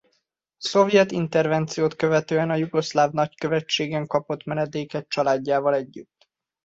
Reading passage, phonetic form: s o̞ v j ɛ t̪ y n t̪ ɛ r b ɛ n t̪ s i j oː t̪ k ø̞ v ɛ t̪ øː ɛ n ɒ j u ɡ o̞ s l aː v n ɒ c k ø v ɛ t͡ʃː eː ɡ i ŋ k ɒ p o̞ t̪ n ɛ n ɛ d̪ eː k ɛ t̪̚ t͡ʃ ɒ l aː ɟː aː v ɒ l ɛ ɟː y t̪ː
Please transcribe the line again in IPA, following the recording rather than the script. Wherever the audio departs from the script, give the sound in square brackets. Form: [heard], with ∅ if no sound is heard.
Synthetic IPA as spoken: s o̞ v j ɛ t̪ [i] n t̪ ɛ r [v] ɛ n t̪ s i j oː t̪ k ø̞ v ɛ t̪ øː ɛ n ɒ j u ɡ o̞ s l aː v n ɒ c k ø v ɛ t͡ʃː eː ɡ [ɛ] ŋ k ɒ p o̞ t̪ [m] ɛ n ɛ d̪ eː k ɛ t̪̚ t͡ʃ ɒ l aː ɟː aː v ɒ l ɛ ɟː y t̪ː